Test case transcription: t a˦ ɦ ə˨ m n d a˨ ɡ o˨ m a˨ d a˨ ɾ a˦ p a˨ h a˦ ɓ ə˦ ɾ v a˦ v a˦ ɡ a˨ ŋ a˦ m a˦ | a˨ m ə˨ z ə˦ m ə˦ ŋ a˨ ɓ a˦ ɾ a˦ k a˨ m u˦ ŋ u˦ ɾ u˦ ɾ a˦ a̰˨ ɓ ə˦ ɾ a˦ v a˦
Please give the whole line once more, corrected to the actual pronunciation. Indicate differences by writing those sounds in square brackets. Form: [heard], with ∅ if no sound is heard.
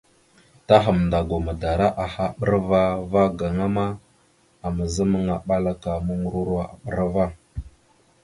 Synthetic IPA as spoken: t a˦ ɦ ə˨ m n d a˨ ɡ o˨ m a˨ d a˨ ɾ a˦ [ʔ] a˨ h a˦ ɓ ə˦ ɾ v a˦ v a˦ ɡ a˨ ŋ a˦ m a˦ | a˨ m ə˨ z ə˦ m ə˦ ŋ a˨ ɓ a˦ [l] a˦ k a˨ m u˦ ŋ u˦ ɾ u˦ ɾ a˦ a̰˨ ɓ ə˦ ɾ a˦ v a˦